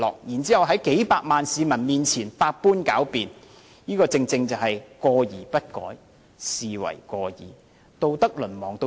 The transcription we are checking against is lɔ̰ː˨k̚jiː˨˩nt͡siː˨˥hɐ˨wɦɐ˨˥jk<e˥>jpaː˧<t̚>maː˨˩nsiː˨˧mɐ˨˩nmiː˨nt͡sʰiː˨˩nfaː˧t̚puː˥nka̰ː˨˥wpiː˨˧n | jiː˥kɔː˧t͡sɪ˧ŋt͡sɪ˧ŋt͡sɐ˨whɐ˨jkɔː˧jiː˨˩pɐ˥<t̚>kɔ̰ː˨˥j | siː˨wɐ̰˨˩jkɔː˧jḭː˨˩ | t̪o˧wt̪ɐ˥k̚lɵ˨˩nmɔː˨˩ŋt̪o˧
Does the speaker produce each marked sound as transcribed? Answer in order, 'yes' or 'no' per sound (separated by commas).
no, no, yes